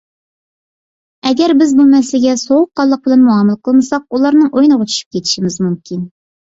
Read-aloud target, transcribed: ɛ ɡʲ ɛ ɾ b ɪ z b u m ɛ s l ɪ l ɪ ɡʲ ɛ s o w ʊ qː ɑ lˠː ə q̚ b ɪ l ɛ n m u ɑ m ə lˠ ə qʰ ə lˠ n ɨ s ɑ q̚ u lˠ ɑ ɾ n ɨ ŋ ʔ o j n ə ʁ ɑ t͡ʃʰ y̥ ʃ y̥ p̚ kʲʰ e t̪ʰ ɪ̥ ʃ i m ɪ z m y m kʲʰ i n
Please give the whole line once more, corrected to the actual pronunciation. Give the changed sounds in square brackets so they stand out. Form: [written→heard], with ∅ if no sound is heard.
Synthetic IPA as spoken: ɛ ɡʲ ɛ ɾ b ɪ z b u m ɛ s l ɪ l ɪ ɡʲ ɛ s o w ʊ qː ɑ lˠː ə q̚ b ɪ l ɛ n m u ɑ m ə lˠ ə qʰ ə lˠ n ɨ s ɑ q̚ u lˠ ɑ ɾ n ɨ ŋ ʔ o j n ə ʁ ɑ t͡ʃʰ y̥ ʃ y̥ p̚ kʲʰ e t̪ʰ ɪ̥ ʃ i m ɪ z m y m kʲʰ i n